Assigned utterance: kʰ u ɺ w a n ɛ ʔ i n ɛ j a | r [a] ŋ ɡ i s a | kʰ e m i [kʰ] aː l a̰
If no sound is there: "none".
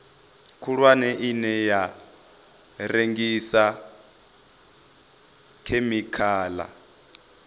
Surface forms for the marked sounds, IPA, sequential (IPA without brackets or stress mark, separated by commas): e, kʰ